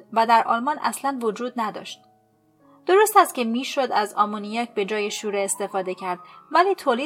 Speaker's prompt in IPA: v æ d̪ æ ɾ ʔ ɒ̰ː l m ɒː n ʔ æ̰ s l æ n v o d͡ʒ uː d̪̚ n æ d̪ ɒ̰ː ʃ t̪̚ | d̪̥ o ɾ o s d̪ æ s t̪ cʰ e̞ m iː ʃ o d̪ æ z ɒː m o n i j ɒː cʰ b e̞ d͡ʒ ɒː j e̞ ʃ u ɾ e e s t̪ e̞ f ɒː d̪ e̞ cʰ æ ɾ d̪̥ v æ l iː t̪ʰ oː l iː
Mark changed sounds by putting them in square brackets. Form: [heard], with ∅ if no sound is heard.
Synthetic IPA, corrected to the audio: v æ d̪ æ ɾ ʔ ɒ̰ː l m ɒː n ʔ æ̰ s l æ n v o d͡ʒ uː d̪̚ n æ d̪ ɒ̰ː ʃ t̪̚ | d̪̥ o ɾ o s [t̪] æ s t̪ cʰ e̞ m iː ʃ o d̪ æ z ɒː m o n i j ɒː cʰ b e̞ d͡ʒ ɒː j e̞ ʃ u ɾ e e s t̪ e̞ f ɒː d̪ e̞ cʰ æ ɾ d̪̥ v æ l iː t̪ʰ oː l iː